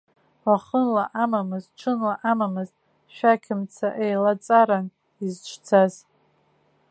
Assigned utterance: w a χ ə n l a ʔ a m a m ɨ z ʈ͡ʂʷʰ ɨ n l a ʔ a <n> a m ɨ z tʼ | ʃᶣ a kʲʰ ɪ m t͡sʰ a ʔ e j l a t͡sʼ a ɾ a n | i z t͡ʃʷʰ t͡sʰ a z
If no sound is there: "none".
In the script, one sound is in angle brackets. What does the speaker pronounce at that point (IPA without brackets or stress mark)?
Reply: m